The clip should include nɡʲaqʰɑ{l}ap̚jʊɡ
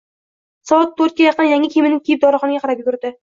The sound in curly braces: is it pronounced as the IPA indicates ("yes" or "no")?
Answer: no